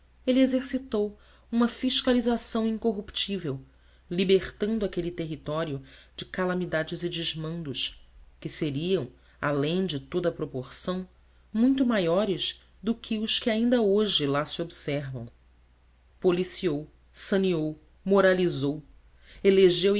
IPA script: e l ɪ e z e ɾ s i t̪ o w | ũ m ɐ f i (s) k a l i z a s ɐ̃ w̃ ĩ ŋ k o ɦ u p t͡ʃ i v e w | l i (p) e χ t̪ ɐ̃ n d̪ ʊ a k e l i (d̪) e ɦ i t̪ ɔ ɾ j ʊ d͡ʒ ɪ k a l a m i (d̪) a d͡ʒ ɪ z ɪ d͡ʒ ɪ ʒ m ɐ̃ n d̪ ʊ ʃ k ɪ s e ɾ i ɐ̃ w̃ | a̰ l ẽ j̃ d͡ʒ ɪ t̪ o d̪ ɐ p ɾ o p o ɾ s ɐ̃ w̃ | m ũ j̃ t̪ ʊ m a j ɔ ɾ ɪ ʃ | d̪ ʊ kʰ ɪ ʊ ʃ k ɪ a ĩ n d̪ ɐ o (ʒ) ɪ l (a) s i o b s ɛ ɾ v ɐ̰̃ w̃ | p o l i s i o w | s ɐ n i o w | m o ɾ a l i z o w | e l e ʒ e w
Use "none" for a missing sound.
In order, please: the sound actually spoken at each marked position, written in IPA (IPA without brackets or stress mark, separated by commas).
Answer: ʃ, b, t̪, d̪, ʒ, a